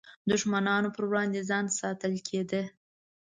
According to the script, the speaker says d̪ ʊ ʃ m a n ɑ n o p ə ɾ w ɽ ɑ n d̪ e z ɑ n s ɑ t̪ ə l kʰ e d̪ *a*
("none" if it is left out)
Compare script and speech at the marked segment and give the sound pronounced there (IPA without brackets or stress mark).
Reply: ə